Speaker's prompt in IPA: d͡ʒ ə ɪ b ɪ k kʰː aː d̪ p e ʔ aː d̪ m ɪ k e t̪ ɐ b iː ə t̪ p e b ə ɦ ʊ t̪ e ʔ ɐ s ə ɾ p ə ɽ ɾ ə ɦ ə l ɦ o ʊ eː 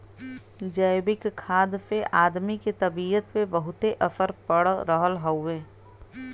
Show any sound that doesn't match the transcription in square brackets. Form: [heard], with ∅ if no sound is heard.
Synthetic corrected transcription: d͡ʒ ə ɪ b ɪ k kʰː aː d̪ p e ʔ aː d̪ m [i] k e t̪ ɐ b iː ə t̪ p e b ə ɦ ʊ t̪ e ʔ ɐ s ə ɾ p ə ɽ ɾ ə ɦ ə l ɦ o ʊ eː